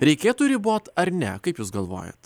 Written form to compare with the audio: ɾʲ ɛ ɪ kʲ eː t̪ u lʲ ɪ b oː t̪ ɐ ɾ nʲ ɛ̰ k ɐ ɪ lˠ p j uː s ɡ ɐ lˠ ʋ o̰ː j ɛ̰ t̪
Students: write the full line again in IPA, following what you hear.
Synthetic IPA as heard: ɾʲ ɛ ɪ kʲ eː t̪ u ɾʲ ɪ b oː t̪ ɐ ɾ nʲ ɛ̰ k ɐ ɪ p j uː s ɡ ɐ lˠ ʋ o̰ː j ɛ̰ t̪